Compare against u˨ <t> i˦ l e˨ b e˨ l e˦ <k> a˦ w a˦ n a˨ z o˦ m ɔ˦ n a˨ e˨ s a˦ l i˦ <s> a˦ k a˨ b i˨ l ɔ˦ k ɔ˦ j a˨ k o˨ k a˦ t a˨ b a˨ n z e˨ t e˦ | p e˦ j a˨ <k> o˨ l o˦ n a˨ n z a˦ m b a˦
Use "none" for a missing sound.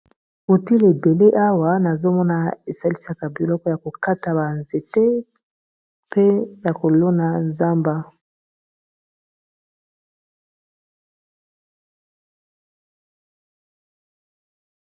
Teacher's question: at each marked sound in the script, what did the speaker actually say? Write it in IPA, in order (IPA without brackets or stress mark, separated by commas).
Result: t, ʔ, s, k